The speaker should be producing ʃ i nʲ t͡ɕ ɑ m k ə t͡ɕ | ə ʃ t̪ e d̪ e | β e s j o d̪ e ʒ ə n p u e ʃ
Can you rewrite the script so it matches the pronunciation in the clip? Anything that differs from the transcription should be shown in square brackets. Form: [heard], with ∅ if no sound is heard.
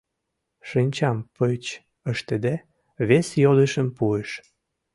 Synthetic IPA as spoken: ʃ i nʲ t͡ɕ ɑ m [p] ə t͡ɕ | ə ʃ t̪ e d̪ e | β e s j o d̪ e [ʃ] ə [m] p u e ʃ

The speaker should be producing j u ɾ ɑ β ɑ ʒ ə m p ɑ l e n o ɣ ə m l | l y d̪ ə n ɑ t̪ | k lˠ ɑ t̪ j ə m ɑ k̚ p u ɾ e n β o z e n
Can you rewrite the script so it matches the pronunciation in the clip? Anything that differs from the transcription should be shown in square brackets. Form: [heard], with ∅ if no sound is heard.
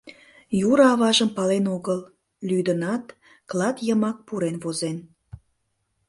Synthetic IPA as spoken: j u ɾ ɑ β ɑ ʒ ə m p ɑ l e n o ɣ ə [∅] l | l y d̪ ə n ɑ t̪ | k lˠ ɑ t̪ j ə m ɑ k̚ p u ɾ e n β o z e n

